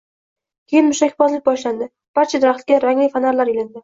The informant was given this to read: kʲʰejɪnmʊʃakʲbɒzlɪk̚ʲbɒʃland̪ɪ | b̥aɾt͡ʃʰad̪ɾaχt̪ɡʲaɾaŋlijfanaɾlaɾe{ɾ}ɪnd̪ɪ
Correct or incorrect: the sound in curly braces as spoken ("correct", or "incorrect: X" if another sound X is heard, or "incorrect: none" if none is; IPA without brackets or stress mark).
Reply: incorrect: l